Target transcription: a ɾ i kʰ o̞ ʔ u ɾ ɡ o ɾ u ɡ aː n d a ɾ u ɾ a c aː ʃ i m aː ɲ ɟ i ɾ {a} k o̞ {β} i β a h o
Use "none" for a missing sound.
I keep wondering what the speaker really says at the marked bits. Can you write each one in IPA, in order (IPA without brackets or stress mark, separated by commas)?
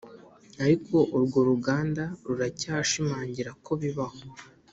a, β